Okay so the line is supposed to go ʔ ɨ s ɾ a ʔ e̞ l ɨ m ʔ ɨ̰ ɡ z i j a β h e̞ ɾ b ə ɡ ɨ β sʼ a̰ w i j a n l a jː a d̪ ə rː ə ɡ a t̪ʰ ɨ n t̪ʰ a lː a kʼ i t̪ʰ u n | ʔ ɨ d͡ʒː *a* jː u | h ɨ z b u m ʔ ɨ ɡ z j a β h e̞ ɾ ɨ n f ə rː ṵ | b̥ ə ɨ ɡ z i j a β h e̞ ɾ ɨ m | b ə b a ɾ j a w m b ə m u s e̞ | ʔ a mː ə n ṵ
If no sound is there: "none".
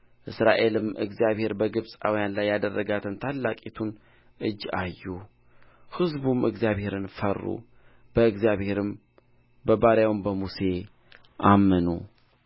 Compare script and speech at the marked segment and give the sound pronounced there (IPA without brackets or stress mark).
a